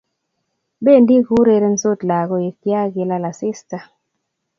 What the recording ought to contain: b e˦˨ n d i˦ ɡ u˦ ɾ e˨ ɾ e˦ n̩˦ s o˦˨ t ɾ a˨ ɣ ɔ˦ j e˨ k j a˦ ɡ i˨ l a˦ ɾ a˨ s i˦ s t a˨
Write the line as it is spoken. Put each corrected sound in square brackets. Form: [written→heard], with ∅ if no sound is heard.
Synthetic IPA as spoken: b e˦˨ n d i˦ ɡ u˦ ɾ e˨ ɾ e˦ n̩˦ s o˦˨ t [ɾ→l] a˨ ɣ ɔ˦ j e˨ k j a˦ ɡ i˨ l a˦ [ɾ→l] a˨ s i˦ s t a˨